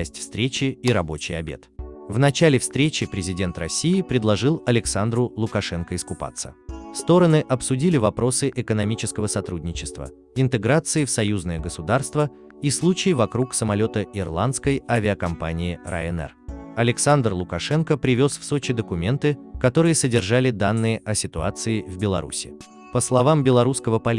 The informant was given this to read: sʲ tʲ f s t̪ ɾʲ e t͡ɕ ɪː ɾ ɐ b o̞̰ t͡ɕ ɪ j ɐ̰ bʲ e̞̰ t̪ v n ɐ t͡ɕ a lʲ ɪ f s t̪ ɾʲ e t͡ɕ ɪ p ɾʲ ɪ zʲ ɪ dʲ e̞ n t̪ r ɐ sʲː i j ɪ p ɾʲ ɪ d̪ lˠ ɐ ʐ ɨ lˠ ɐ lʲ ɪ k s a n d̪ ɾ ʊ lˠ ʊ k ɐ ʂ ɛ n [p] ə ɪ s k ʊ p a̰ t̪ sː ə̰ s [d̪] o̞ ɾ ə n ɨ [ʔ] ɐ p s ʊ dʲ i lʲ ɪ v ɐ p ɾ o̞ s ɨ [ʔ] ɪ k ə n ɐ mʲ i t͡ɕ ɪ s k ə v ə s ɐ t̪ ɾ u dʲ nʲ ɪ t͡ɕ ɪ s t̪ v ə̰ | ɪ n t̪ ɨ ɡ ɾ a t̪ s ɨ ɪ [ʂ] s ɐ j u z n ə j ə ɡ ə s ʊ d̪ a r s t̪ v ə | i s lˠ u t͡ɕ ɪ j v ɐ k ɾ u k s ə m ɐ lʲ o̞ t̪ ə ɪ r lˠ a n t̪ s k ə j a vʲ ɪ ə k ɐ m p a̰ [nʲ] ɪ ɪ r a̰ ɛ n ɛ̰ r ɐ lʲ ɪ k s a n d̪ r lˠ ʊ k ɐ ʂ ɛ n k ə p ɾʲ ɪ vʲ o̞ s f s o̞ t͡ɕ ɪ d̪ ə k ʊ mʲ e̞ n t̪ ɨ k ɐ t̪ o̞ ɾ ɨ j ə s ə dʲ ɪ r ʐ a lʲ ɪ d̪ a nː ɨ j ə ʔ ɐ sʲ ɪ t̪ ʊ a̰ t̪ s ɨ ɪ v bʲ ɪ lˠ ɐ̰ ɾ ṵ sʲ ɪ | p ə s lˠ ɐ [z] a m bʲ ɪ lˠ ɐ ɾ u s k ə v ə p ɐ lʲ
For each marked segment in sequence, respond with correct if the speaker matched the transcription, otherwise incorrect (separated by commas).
incorrect, incorrect, correct, correct, incorrect, correct, incorrect